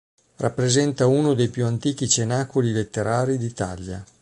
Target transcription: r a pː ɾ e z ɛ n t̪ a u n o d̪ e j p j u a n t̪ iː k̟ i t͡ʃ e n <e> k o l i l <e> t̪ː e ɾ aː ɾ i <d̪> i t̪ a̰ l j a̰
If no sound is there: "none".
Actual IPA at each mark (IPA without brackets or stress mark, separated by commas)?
a, e, d̪